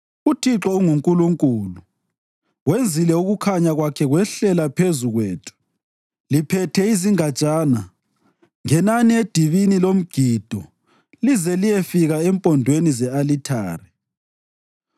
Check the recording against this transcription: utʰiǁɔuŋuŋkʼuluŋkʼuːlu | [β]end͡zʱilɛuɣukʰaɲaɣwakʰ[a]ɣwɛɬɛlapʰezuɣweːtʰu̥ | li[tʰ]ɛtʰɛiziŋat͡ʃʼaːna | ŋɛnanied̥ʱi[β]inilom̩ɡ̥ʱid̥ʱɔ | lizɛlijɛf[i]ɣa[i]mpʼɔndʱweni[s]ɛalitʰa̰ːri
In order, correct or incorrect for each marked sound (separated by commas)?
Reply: incorrect, incorrect, incorrect, correct, correct, incorrect, incorrect